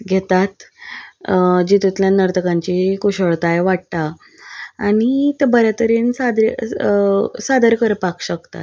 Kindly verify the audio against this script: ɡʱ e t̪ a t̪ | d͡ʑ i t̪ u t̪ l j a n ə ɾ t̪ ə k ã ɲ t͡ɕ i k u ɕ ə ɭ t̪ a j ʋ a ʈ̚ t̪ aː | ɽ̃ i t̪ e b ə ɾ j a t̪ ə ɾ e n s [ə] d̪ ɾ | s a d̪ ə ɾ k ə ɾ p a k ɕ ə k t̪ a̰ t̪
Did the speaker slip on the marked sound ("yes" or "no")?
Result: yes